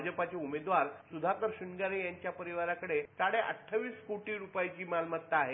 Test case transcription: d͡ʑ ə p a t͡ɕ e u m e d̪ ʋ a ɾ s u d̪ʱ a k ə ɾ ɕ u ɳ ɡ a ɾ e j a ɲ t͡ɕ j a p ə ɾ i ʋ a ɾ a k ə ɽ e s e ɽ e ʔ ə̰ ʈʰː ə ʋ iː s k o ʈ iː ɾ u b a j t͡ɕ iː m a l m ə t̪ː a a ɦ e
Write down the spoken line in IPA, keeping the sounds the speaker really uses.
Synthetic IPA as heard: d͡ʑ ə p a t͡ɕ e u m e d̪ ʋ a ɾ s u d̪ʱ a k ə ɾ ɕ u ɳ ɡ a ɾ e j a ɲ t͡ɕ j a p ə ɾ i ʋ a ɾ a k ə ɽ e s a ɽ e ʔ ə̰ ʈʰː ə ʋ iː s k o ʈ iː ɾ u p a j t͡ɕ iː m a l m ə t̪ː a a ɦ e